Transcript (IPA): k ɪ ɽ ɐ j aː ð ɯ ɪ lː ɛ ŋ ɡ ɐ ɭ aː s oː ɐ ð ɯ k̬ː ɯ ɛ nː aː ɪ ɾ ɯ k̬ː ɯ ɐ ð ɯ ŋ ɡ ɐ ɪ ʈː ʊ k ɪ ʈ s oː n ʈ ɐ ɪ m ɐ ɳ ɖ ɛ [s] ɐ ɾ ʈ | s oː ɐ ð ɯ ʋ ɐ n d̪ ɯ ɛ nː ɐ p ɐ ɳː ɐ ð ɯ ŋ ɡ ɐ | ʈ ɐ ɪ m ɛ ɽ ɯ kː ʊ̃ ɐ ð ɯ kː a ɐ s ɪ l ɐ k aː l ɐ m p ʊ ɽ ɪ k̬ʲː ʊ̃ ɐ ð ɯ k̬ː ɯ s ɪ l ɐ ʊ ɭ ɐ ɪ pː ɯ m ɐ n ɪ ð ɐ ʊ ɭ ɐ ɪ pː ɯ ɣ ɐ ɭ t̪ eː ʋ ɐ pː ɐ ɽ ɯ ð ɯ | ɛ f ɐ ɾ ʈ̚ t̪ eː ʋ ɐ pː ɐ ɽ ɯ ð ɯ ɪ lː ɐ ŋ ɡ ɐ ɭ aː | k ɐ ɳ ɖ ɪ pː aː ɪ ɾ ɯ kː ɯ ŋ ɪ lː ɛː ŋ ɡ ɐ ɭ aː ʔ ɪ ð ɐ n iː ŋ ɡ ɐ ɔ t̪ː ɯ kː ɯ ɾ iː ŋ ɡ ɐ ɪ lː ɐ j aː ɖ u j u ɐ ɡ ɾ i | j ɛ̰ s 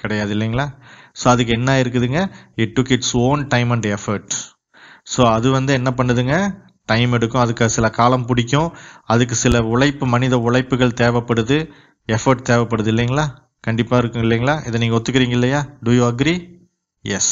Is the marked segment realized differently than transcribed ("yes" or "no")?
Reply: yes